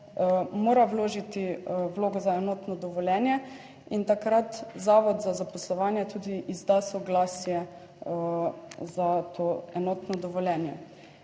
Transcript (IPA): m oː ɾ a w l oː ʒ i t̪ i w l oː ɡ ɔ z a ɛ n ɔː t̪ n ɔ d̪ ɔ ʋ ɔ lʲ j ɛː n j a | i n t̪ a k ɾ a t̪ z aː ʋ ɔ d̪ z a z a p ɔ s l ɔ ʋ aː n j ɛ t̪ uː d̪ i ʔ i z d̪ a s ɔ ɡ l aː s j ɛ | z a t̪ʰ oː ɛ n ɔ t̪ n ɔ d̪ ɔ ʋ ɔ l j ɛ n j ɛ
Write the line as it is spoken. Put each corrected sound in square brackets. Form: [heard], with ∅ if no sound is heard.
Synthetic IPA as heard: m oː ɾ a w l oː ʒ i t̪ i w l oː ɡ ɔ z a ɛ n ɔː t̪ n ɔ d̪ ɔ ʋ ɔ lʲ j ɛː n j [ɛ] | i n t̪ a k ɾ a t̪ z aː ʋ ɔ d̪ z a z a p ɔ s l ɔ ʋ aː n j ɛ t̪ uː d̪ i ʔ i z d̪ a s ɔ ɡ l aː s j ɛ | z a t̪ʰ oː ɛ n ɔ t̪ n ɔ d̪ ɔ ʋ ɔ l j ɛ n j ɛ